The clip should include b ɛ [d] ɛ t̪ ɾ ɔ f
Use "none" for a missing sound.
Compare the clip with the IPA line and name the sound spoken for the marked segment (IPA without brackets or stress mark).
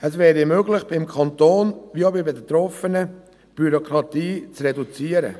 d